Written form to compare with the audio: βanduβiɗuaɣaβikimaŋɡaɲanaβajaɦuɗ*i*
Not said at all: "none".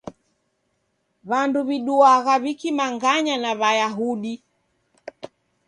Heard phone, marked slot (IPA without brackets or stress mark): i